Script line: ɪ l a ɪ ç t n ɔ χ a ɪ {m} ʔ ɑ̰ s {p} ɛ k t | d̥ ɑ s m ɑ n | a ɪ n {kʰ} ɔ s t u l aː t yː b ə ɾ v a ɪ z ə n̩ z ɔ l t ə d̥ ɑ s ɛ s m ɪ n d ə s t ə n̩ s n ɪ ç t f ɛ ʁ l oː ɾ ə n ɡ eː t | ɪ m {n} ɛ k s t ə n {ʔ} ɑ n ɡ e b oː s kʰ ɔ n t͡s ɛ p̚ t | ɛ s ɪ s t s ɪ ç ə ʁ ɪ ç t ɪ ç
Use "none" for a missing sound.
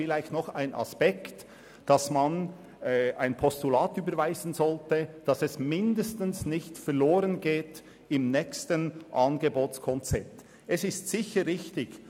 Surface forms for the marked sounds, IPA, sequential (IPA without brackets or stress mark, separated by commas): n, p, pʰ, n, ʔ